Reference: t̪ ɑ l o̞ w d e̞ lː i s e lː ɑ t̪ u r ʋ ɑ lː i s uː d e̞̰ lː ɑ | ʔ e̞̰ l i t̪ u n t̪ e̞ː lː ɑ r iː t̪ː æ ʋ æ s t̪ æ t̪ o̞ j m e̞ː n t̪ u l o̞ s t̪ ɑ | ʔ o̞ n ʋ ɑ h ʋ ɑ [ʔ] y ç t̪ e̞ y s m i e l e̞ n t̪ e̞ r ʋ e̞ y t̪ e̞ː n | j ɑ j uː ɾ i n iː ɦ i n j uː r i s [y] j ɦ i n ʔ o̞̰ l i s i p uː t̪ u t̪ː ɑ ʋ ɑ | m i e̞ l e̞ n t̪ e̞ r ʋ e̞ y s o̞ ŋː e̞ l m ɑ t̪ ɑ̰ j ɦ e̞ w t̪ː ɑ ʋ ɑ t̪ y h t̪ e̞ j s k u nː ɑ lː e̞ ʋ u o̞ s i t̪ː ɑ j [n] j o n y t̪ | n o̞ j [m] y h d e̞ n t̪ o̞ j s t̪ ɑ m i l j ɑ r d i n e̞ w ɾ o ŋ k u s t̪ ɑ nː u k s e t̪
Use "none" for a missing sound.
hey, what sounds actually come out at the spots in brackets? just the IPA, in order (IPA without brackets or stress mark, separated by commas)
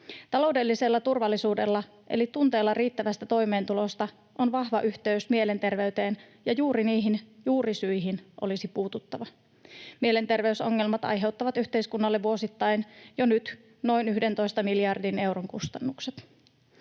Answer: ʔ, y, n, n